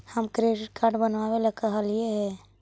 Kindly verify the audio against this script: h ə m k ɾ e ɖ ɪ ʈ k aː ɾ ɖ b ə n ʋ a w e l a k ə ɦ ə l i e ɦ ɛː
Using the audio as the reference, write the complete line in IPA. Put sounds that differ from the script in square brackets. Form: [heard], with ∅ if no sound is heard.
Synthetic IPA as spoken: h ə m k ɾ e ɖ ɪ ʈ k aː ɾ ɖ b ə n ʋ a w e l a k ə ɦ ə l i e ɦ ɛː